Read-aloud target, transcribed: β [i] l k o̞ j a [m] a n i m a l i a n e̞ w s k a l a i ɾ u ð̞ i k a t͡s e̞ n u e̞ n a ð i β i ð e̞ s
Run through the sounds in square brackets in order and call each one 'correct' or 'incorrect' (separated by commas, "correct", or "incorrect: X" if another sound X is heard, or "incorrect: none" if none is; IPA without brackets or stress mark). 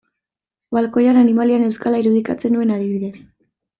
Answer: incorrect: a, incorrect: n